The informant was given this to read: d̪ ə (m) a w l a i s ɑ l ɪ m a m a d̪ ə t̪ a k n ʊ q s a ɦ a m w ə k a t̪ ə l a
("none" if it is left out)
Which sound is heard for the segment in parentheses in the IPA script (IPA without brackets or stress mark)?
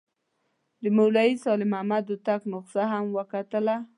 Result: m